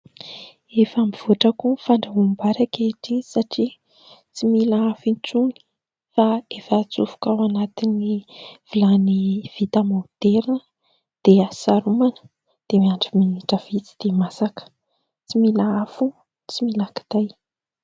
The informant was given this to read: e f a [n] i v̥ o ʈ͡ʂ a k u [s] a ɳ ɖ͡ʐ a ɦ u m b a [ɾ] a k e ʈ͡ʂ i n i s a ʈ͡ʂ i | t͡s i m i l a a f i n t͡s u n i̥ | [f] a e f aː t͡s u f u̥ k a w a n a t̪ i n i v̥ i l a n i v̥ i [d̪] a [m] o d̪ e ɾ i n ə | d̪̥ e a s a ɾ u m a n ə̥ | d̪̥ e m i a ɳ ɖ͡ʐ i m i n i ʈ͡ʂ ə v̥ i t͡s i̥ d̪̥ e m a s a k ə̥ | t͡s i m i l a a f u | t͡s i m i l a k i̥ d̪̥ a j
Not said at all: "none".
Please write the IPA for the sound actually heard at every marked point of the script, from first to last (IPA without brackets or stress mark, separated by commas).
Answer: m, f, ɾ, f, t̪, m